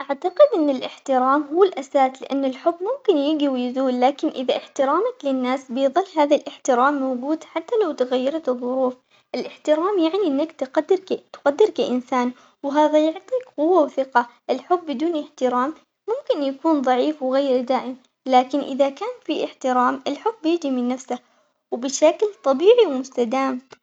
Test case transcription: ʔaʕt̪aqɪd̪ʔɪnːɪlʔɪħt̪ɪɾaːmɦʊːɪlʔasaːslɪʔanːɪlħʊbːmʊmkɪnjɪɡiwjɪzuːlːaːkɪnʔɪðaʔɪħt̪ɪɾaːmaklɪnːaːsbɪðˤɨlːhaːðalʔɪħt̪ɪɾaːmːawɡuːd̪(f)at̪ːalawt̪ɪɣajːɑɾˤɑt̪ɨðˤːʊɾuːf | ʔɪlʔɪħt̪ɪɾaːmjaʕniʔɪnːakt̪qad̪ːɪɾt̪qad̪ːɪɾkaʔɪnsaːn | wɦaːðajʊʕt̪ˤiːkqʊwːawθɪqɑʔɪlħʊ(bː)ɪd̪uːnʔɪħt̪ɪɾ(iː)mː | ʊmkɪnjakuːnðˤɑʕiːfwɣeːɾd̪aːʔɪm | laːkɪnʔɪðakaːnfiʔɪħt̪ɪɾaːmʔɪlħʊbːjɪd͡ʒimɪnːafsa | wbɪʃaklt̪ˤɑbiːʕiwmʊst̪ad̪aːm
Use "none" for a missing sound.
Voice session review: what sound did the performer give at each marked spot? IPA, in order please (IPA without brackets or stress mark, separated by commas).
ħ, bː, aː